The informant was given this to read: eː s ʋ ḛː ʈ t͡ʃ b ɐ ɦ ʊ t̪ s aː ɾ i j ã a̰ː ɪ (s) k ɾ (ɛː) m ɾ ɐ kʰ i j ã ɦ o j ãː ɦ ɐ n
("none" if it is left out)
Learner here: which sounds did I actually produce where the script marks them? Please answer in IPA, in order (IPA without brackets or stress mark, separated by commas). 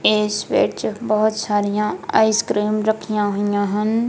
s, iː